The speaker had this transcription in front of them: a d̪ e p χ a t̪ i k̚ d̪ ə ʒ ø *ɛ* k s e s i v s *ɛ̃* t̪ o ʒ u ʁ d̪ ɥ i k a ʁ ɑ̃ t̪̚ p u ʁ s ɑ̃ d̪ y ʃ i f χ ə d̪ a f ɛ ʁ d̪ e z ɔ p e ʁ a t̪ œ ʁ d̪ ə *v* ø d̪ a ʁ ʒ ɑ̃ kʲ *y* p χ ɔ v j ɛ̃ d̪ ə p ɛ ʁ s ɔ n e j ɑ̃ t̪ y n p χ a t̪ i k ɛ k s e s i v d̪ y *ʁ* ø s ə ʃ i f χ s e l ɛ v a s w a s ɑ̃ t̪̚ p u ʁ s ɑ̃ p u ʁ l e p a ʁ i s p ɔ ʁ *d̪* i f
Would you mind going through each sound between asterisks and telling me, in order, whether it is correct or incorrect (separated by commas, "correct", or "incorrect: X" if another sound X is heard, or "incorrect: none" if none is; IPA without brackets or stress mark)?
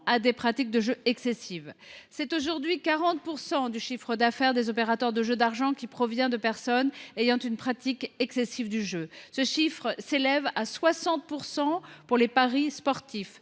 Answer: correct, incorrect: ɛ, incorrect: ʒ, incorrect: i, incorrect: ʒ, incorrect: t̪